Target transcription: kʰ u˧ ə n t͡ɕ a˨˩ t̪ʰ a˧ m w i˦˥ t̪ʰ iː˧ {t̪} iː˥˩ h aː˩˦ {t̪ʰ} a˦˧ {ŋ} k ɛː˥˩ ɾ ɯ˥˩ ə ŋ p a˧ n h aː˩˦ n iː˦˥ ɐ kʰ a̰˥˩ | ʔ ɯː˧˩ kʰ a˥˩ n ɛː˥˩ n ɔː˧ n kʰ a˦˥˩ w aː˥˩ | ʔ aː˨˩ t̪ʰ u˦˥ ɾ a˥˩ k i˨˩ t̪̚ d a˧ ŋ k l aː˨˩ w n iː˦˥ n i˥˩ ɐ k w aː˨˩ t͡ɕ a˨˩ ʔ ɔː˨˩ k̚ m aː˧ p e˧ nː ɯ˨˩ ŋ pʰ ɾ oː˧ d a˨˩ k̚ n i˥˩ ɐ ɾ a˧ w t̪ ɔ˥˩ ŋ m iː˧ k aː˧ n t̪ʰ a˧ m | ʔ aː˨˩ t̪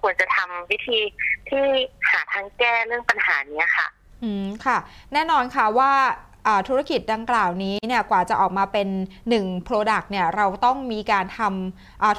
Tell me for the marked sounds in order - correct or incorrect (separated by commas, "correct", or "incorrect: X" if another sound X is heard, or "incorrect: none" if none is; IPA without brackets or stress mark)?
incorrect: t̪ʰ, correct, correct